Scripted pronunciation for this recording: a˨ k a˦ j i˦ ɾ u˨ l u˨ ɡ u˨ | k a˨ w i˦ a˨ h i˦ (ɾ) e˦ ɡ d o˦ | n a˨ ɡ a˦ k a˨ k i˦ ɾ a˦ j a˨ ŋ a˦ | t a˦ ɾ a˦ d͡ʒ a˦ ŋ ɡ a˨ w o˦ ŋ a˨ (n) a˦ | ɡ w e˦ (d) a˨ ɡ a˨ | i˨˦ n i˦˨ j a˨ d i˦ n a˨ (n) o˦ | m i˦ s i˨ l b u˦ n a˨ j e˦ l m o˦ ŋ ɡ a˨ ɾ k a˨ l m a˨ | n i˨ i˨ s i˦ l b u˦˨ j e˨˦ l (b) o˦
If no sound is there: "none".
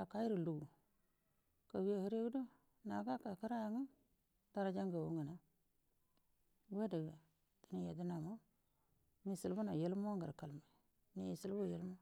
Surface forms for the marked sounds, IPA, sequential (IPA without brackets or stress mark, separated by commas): ɾ, n, d, m, m